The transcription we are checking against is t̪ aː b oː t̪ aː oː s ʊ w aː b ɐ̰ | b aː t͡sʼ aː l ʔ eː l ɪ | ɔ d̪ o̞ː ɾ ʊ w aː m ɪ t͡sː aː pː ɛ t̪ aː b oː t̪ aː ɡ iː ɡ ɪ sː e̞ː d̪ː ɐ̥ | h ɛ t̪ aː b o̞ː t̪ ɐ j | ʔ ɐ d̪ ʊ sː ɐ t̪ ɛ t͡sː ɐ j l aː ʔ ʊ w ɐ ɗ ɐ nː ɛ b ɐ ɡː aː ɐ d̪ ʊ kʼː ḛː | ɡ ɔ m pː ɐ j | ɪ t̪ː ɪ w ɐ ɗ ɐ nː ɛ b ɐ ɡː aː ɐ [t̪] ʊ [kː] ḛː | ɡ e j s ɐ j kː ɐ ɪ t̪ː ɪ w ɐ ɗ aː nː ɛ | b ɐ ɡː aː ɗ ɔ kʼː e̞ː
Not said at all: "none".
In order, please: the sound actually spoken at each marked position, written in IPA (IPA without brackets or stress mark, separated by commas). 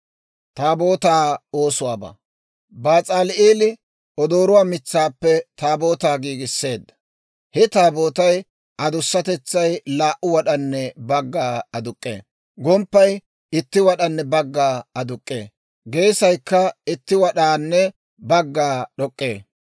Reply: d̪, kʼː